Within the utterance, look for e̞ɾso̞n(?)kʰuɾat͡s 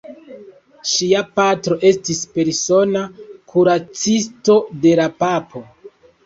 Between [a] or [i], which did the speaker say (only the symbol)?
a